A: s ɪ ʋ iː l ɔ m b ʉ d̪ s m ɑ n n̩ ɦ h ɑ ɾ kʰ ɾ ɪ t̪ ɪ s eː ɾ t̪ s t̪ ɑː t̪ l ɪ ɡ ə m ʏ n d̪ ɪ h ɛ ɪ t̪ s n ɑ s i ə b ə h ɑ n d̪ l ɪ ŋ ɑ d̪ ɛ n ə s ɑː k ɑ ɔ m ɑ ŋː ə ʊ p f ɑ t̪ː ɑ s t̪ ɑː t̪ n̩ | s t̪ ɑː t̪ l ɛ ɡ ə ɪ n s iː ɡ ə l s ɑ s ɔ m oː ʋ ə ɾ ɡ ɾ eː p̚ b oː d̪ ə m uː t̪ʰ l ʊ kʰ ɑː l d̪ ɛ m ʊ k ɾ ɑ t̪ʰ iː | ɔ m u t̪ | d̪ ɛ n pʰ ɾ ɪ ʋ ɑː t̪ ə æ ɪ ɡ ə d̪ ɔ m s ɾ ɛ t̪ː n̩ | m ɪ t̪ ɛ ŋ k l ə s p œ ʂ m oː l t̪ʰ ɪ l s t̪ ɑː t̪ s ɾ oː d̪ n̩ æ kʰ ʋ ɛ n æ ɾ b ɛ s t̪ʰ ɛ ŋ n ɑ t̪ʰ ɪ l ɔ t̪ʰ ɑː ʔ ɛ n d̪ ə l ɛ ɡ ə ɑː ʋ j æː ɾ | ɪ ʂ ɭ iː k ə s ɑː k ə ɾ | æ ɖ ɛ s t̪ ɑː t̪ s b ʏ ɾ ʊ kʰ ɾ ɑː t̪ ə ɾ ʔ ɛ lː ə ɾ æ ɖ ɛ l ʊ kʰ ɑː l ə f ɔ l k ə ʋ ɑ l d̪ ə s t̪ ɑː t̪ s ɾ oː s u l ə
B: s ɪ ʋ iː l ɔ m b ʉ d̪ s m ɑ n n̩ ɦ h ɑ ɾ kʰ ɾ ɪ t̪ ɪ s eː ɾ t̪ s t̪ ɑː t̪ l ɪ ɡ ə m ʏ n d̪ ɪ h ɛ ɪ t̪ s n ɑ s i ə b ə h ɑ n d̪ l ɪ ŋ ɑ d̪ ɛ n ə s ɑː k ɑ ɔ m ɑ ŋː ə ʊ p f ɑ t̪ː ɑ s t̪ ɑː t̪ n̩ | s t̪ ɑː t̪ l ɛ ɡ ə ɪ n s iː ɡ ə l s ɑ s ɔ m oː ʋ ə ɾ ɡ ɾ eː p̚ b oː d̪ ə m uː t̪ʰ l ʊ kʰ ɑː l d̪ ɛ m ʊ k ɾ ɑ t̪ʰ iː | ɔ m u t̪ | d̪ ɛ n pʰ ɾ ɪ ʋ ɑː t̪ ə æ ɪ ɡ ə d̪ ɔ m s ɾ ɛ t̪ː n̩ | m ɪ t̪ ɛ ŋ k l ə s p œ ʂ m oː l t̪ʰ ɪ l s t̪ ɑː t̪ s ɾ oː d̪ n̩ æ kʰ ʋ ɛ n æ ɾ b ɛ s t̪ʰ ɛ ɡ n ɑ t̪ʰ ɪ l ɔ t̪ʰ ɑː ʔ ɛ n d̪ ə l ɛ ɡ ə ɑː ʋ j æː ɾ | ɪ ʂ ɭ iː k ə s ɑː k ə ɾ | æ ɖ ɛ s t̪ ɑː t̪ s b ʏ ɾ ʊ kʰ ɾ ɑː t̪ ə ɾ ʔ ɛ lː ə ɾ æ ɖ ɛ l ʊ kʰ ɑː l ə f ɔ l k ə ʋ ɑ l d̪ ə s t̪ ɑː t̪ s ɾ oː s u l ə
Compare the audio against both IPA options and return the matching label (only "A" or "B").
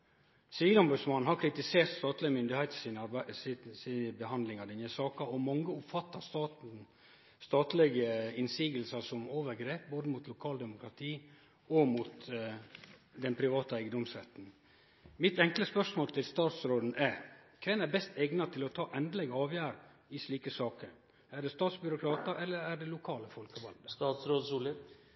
B